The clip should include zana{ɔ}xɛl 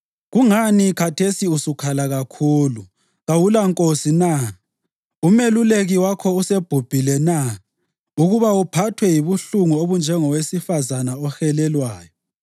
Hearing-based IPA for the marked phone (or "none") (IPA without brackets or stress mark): ɔ